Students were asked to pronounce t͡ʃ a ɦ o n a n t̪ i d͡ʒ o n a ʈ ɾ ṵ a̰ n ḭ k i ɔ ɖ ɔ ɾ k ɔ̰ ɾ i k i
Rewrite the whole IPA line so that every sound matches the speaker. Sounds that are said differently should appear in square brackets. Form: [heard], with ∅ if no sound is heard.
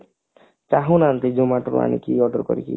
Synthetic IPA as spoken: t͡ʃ a ɦ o n a n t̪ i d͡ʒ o [m] a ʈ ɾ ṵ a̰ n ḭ k i ɔ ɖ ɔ ɾ k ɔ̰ ɾ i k i